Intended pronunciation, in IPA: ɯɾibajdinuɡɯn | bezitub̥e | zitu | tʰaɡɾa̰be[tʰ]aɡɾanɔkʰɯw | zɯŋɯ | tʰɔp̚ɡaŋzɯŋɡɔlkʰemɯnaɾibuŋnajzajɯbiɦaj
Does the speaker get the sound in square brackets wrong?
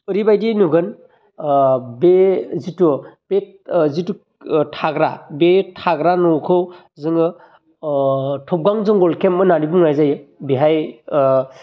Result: no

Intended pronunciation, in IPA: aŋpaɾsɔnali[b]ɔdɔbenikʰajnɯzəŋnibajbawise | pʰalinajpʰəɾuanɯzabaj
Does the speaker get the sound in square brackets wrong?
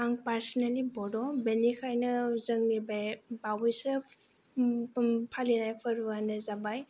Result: no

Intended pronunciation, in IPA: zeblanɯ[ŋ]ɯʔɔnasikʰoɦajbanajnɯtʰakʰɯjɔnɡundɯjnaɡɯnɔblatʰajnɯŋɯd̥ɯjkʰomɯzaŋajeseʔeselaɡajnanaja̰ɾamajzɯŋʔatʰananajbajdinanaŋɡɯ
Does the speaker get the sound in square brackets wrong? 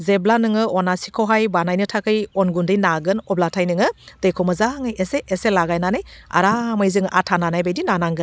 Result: no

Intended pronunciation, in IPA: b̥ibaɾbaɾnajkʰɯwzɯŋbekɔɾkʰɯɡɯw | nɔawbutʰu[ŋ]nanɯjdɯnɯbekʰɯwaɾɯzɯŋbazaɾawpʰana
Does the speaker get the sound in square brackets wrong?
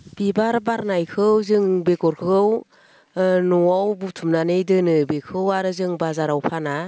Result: yes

